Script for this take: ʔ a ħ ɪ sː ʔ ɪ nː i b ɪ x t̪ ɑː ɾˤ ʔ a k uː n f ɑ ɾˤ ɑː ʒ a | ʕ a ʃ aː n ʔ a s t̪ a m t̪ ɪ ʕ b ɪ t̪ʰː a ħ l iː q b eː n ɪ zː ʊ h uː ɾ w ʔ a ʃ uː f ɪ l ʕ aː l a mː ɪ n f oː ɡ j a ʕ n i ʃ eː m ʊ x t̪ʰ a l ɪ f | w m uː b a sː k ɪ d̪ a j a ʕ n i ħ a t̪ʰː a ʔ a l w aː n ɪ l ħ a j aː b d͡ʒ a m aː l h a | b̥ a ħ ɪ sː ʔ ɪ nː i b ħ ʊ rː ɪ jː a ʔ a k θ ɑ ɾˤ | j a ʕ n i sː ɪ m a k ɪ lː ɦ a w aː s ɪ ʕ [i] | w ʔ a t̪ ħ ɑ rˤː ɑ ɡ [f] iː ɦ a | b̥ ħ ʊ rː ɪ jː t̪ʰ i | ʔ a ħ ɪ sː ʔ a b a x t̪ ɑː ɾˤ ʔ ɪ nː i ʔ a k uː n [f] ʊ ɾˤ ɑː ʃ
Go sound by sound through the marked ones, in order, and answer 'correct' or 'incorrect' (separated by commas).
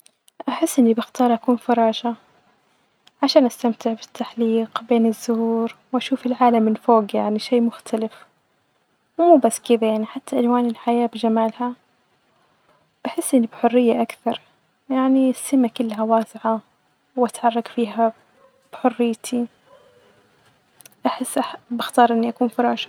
incorrect, correct, correct